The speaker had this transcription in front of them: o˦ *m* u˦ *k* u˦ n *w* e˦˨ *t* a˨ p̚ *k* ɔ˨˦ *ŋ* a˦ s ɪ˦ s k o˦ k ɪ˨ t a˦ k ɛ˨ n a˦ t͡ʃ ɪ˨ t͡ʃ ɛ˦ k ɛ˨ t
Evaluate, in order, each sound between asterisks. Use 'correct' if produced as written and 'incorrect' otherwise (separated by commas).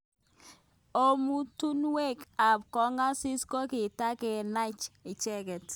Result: correct, incorrect, correct, incorrect, correct, correct